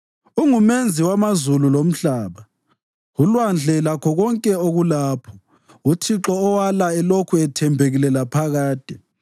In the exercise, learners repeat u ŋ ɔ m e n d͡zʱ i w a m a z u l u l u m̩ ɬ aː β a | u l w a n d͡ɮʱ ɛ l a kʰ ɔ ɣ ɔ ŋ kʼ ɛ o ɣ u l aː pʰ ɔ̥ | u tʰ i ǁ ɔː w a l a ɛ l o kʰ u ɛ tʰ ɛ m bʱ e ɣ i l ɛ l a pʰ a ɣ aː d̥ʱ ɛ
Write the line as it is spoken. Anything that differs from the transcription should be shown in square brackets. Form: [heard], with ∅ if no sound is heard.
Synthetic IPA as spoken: u ŋ [u] m e n d͡zʱ i w a m a z u l u l [o] m̩ ɬ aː β a | u l w a n d͡ɮʱ ɛ l a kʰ ɔ ɣ ɔ ŋ kʼ ɛ o ɣ u l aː pʰ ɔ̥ | u tʰ i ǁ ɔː w a l a ɛ l o kʰ u ɛ tʰ ɛ m bʱ e ɣ i l ɛ l a pʰ a ɣ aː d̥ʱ ɛ